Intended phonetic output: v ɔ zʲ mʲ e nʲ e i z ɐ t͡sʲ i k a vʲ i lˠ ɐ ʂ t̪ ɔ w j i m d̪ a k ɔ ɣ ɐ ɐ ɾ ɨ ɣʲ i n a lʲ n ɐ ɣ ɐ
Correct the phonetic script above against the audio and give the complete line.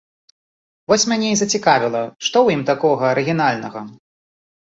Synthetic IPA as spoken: v ɔ sʲ mʲ a nʲ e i z ɐ t͡sʲ i k a vʲ i lˠ ɐ ʂ t̪ ɔ w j i m t̪ a k ɔ ɣ ɐ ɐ ɾ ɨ ɣʲ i n a lʲ n ɐ ɣ ɐ